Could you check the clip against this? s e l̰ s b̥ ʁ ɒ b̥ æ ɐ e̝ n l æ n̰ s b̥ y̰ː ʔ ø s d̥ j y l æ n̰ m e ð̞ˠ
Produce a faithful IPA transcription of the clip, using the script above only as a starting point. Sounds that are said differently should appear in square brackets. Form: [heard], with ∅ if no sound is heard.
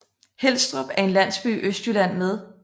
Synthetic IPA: [h] e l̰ s [d̥] ʁ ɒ b̥ æ ɐ e̝ n l æ n̰ s b̥ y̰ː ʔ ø s d̥ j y l æ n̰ m e ð̞ˠ